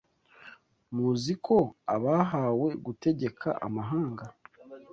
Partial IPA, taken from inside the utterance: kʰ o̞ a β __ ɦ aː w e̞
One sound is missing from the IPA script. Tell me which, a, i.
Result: a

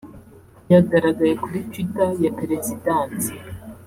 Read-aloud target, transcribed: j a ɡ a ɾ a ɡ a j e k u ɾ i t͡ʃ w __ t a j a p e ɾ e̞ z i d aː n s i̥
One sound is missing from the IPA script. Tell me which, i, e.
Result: i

